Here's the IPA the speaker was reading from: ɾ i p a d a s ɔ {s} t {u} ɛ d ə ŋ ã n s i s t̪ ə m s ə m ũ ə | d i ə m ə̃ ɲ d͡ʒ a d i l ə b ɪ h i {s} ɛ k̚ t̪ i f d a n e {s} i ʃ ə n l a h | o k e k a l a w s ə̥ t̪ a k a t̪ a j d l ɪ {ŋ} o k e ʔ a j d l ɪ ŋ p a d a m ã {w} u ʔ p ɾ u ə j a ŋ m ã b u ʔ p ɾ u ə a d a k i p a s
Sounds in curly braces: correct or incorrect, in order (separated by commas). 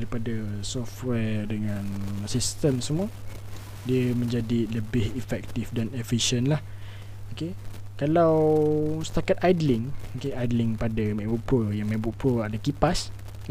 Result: incorrect, incorrect, incorrect, incorrect, correct, incorrect